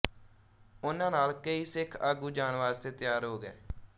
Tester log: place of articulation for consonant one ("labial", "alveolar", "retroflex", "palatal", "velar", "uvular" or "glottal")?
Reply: alveolar